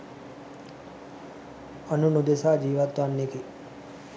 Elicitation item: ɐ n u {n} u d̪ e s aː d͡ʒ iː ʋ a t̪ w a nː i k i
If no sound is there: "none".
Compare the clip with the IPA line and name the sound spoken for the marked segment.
n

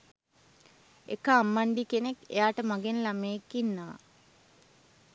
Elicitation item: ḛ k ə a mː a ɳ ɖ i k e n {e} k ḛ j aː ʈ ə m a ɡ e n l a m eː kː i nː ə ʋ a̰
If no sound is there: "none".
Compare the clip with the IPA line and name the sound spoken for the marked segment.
e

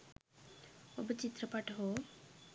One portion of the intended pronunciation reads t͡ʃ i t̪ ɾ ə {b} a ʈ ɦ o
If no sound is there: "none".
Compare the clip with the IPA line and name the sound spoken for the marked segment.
p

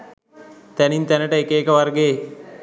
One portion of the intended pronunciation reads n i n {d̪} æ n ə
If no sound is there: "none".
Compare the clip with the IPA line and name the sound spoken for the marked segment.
t̪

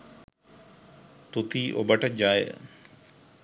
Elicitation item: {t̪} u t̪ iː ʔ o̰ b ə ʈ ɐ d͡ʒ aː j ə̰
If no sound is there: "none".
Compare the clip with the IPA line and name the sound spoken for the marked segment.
t̪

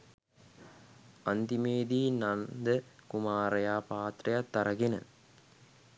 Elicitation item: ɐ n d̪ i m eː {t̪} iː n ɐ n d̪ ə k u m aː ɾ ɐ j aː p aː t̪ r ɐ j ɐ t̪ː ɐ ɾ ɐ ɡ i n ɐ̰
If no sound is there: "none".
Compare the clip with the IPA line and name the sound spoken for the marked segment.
d̪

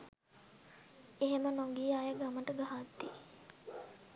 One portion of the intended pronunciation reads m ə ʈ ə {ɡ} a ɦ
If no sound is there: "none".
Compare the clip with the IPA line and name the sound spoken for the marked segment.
ɡ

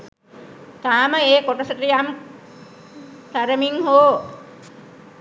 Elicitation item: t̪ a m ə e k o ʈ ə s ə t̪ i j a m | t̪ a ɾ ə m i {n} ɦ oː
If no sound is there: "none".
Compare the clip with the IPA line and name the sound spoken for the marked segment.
ŋ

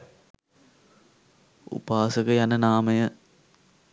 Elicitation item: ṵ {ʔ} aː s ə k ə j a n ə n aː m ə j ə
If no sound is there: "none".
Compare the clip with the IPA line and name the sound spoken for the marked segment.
p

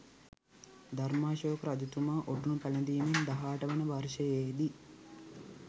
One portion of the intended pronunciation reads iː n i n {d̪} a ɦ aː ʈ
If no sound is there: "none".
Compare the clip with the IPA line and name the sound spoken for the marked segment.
d̪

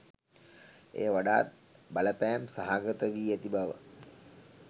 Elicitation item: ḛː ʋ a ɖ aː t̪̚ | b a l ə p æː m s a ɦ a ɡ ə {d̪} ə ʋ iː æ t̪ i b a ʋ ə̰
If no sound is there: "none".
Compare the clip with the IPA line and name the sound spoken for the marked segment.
t̪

